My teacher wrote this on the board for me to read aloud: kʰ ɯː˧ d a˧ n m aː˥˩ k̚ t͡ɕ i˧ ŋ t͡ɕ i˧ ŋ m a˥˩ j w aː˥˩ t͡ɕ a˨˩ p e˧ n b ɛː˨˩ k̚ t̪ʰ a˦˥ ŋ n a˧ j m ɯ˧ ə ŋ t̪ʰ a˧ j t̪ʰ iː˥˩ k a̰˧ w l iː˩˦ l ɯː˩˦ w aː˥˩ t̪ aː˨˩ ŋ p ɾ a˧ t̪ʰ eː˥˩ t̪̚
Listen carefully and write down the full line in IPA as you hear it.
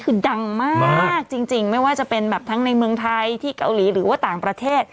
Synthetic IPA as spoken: kʰ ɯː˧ d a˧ ŋ m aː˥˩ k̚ t͡ɕ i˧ ŋ t͡ɕ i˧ ŋ m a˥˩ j w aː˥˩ t͡ɕ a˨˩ p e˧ n b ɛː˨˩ p̚ t̪ʰ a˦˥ ŋ n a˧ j m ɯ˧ ə ŋ t̪ʰ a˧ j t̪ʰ iː˥˩ k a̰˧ w l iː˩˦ ɾ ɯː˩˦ w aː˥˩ t̪ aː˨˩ ŋ p ɾ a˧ t̪ʰ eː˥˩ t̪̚